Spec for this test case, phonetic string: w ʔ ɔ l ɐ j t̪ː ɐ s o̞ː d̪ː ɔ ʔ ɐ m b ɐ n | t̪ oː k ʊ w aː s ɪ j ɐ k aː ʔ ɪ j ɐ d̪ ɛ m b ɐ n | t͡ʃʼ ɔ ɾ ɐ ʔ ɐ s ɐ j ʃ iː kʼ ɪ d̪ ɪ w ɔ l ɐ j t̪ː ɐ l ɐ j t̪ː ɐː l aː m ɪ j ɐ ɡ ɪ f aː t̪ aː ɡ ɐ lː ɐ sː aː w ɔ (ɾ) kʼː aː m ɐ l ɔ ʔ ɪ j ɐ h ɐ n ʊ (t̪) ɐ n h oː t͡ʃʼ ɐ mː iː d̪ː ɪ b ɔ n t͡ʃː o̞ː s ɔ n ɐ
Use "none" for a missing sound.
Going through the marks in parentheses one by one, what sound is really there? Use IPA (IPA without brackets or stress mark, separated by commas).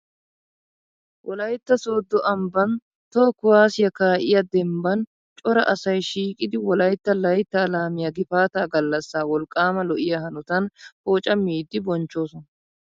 l, t̪